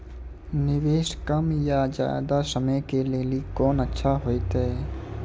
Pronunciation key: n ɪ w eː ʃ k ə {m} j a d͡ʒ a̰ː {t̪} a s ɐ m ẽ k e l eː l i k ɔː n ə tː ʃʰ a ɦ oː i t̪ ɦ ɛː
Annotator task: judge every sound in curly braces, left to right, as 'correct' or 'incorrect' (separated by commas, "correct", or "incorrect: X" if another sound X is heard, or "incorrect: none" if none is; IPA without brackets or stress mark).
correct, incorrect: d̪